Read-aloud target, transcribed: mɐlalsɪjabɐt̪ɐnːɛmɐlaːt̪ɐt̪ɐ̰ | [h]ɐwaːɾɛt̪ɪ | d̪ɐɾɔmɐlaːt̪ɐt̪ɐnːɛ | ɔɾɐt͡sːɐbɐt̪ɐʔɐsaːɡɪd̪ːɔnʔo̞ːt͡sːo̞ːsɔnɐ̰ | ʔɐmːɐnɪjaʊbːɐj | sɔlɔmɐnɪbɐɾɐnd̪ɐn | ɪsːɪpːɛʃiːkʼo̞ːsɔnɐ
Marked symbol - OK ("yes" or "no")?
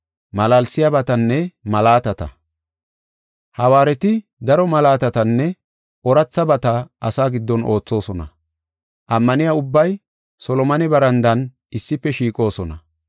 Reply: yes